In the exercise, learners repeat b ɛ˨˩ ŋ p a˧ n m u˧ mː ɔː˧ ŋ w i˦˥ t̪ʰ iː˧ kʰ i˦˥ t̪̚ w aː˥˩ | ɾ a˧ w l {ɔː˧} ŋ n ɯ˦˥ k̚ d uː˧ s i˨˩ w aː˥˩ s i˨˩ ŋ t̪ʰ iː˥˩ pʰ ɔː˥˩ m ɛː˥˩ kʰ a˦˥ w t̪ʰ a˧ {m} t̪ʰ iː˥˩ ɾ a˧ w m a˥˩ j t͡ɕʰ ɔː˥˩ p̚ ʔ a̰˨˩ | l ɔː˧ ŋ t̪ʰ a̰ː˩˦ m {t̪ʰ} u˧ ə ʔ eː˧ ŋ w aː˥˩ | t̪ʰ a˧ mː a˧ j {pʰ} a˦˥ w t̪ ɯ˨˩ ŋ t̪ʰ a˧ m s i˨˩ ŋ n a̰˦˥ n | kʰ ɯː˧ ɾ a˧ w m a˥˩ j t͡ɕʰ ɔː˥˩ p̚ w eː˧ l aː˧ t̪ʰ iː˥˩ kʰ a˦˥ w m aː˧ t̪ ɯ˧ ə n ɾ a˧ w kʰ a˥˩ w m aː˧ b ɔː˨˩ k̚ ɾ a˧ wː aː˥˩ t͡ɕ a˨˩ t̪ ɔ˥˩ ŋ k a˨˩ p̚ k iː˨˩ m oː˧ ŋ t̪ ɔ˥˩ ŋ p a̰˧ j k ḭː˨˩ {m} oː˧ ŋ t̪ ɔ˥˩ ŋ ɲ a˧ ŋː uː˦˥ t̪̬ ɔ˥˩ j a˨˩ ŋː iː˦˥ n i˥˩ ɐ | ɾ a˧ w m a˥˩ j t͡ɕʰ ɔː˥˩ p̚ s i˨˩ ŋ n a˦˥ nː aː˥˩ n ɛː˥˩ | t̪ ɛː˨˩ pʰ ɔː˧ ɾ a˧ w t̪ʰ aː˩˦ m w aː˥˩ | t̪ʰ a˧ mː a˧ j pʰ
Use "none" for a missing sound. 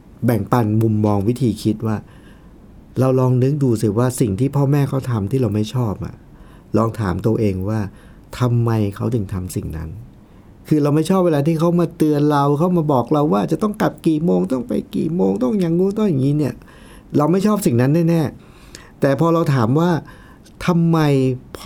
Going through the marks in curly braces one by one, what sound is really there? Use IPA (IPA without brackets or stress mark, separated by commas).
ɔː˧, m, t̪, kʰ, m